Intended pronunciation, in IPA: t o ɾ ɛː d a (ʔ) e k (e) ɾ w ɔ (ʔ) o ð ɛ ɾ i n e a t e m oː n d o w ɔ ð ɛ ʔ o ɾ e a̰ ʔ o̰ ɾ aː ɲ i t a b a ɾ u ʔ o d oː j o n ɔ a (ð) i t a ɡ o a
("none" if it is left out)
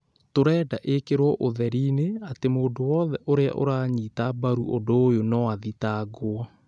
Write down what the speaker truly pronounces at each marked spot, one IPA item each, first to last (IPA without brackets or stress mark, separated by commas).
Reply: ʔ, e, ʔ, ð